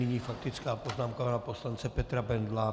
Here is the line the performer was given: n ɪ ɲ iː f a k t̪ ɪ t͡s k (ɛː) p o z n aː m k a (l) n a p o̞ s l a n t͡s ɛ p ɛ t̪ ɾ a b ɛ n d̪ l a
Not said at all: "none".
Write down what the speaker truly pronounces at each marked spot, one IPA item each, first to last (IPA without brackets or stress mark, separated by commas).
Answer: aː, none